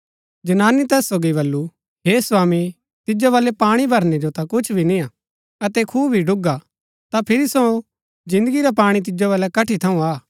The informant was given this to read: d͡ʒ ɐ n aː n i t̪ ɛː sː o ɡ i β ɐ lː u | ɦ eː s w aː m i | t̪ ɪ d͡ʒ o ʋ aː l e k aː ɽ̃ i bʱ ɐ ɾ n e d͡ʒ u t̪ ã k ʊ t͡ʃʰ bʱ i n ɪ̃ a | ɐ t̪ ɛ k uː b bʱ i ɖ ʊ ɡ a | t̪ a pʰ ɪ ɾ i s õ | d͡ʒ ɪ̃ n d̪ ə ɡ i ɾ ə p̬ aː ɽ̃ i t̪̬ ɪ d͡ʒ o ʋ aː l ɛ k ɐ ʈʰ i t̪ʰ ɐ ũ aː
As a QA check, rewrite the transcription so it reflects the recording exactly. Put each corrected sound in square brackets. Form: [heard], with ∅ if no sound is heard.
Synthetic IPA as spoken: d͡ʒ ɐ n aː n i t̪ ɛː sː o ɡ i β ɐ lː u | ɦ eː s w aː m i | t̪ ɪ d͡ʒ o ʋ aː l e [p] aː ɽ̃ i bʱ ɐ ɾ n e d͡ʒ [o] t̪ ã k ʊ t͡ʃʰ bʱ i n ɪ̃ a | ɐ t̪ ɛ [kʰ] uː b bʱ i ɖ ʊ ɡ a | t̪ a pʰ ɪ ɾ i s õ | d͡ʒ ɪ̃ n d̪ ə ɡ i ɾ [a] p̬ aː ɽ̃ i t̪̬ ɪ d͡ʒ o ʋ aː l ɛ k ɐ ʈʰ i t̪ʰ ɐ ũ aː